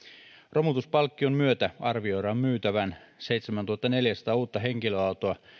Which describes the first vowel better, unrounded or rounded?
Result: rounded